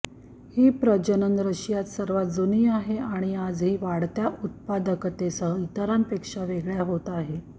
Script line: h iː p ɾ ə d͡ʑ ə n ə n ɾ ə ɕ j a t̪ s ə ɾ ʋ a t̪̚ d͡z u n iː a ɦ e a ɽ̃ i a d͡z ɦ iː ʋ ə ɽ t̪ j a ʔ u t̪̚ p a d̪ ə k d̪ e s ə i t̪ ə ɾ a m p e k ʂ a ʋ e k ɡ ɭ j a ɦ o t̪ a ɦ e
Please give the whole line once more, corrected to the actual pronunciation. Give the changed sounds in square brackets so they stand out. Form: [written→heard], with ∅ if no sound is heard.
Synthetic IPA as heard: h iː p ɾ ə d͡ʑ ə n ə n ɾ ə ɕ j a t̪ s ə ɾ ʋ a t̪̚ d͡z u n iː a ɦ e a ɽ̃ i a d͡z ɦ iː ʋ [ə→a] ɽ t̪ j a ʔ u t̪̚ p a d̪ ə k [d̪→t̪] e s ə i t̪ ə ɾ a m p e k ʂ a ʋ e [k→∅] ɡ ɭ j a ɦ o t̪ a ɦ e